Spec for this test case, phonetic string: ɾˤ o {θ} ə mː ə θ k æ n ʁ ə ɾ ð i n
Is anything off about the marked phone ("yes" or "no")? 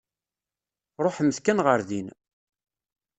yes